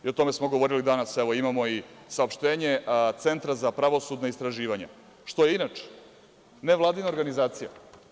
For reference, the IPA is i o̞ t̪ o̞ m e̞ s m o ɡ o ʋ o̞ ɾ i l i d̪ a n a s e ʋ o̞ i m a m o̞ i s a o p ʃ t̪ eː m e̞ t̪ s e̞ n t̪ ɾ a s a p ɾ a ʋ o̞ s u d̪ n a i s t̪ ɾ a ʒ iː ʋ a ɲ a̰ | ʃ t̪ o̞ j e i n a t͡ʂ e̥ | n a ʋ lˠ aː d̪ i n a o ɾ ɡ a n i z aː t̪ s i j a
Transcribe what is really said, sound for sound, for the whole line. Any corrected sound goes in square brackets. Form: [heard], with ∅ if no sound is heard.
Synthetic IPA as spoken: i o̞ t̪ o̞ m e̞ s m o ɡ o ʋ o̞ ɾ i l i d̪ a n a s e ʋ o̞ i m a m o̞ i s a o p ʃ t̪ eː [ɲ] e̞ t̪ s e̞ n t̪ ɾ a [z] a p ɾ a ʋ o̞ s u d̪ n a i s t̪ ɾ a ʒ iː ʋ a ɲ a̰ | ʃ t̪ o̞ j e i n a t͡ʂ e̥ | n [e] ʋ lˠ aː d̪ i n a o ɾ ɡ a n i z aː t̪ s i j a